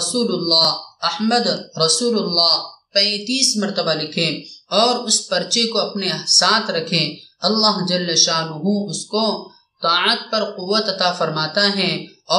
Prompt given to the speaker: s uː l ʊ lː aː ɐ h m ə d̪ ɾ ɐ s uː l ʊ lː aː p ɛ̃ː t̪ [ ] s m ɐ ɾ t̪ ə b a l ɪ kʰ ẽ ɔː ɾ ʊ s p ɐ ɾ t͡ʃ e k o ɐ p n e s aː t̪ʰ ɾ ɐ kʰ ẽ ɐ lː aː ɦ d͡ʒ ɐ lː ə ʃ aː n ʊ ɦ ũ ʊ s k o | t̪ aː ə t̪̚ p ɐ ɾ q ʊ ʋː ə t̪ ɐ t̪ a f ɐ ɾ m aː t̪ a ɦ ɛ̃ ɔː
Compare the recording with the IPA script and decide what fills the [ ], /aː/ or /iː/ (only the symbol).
iː